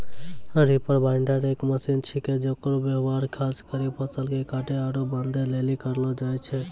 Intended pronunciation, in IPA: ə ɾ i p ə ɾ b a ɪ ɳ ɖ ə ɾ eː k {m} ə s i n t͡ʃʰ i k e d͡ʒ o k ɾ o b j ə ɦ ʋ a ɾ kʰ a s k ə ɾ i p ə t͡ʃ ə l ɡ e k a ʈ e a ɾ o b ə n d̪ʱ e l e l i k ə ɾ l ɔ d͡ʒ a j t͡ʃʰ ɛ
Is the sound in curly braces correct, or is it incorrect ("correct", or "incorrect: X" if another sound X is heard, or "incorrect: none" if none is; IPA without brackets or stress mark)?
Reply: correct